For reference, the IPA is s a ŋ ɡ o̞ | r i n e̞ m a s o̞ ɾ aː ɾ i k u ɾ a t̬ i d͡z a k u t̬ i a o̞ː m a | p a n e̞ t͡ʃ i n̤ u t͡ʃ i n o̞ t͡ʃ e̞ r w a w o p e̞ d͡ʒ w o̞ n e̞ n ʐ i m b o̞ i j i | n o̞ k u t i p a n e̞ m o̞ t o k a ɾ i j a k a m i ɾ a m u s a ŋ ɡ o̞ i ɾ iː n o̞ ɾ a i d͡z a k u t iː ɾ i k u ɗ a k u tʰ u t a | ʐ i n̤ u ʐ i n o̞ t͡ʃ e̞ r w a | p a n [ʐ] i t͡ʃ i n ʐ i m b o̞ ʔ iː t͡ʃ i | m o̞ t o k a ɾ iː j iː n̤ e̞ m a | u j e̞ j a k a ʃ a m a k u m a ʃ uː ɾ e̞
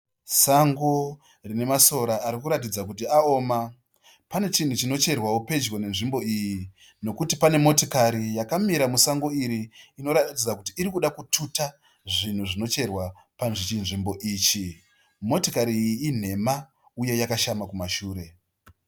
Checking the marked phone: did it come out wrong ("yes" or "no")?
no